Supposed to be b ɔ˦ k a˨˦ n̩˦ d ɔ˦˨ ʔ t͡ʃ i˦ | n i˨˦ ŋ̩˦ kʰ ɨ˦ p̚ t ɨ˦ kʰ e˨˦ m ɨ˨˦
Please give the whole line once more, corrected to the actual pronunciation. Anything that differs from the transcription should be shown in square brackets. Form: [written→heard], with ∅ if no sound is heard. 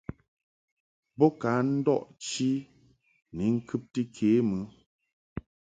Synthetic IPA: b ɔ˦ k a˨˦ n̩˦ d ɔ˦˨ ʔ t͡ʃ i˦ | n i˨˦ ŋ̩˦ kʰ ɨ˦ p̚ t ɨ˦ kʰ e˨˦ m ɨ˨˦